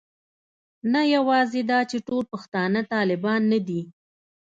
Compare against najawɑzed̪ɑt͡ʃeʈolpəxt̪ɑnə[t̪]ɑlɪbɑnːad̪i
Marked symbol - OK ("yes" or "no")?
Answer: yes